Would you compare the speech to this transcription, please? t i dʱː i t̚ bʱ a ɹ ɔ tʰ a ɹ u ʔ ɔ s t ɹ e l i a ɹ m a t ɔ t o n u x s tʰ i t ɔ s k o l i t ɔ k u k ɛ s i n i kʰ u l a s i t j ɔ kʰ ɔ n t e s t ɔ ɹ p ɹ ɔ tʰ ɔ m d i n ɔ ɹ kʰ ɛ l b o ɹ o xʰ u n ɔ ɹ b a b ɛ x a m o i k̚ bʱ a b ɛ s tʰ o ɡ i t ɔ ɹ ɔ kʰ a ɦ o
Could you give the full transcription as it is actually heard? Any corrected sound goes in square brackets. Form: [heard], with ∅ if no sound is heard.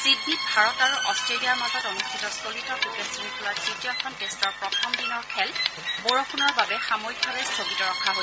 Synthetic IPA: [s] i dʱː i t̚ bʱ a ɹ ɔ [t] a ɹ u ʔ ɔ s t ɹ e l i a ɹ m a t ɔ t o n u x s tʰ i t ɔ s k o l i t ɔ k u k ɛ s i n i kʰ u l a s i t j ɔ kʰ ɔ n t e s t ɔ ɹ p ɹ ɔ tʰ ɔ m d i n ɔ ɹ kʰ ɛ l b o ɹ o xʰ u n ɔ ɹ b a b ɛ x a m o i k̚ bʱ a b ɛ s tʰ o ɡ i t ɔ ɹ ɔ kʰ a ɦ o